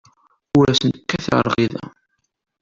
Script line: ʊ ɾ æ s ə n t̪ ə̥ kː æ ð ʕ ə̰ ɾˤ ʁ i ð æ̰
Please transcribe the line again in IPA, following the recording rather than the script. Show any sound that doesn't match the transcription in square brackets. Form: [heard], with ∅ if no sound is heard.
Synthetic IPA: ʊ ɾ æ s ə n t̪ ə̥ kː æ [θ] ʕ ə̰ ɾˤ ʁ i ð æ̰